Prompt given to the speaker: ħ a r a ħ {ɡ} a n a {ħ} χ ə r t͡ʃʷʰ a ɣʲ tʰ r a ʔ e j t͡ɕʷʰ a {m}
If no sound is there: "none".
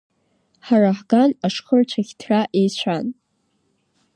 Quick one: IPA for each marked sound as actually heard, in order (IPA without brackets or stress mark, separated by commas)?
ɡ, ʂ, n